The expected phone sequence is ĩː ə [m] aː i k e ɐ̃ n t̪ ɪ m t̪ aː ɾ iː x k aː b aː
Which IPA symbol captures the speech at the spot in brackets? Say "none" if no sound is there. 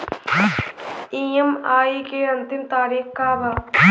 m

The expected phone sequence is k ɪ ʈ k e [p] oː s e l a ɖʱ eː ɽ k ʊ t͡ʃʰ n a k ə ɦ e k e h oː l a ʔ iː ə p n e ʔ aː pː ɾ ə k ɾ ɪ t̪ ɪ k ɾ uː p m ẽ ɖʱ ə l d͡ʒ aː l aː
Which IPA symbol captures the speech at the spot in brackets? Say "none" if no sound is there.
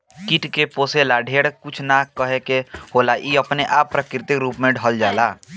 p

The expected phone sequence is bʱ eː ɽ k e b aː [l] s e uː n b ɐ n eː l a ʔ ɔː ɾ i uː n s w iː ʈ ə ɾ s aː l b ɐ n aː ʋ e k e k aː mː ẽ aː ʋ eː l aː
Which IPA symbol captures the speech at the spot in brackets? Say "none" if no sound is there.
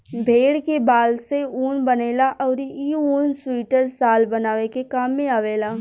l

